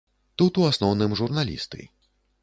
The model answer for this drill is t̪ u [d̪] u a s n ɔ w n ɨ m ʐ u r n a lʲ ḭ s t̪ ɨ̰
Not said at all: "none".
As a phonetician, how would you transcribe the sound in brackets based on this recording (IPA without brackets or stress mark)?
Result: t̪